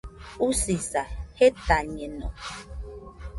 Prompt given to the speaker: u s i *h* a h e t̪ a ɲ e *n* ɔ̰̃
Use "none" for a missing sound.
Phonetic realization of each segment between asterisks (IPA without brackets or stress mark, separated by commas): s, n